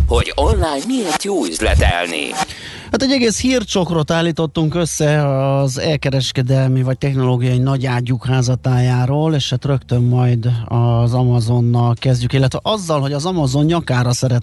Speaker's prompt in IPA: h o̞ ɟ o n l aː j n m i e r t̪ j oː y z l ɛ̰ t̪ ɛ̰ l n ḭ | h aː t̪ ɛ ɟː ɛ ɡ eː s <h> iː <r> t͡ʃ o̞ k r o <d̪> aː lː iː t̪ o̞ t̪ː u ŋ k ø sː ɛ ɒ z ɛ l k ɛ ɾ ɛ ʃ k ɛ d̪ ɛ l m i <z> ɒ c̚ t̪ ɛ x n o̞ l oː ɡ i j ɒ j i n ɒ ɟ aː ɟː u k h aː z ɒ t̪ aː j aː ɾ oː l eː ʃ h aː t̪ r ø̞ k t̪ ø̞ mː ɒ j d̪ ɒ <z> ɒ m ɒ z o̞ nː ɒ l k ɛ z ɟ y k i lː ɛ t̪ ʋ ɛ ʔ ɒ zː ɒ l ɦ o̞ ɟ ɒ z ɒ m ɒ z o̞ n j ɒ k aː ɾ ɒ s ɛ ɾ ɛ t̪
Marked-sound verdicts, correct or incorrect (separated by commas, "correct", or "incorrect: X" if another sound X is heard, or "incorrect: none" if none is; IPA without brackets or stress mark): correct, correct, incorrect: t̪, incorrect: v, correct